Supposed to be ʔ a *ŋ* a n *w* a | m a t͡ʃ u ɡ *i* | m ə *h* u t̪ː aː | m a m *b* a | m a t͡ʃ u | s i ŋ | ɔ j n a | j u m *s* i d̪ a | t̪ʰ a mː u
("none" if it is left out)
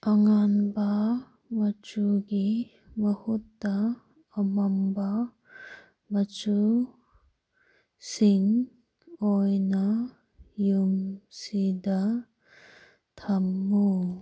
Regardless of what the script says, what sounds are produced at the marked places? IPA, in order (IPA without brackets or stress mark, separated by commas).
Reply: ŋ, b, i, h, b, s